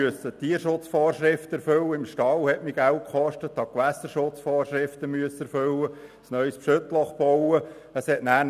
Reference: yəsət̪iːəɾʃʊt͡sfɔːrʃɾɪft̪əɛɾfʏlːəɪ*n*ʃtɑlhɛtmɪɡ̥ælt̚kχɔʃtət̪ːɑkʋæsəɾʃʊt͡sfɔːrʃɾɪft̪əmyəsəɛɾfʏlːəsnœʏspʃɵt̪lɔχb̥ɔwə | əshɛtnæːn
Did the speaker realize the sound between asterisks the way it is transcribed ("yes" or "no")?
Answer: no